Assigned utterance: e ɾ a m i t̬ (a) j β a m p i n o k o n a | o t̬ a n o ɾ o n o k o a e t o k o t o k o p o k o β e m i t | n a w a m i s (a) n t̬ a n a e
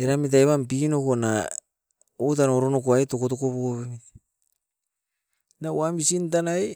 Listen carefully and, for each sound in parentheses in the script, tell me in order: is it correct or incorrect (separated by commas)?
correct, incorrect